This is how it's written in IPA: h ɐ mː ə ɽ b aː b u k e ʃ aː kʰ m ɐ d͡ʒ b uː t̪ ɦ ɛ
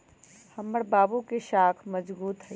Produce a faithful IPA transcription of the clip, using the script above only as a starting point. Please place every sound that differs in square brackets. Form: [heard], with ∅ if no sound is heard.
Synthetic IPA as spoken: h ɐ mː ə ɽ b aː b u k e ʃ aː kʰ m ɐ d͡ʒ b uː t̪ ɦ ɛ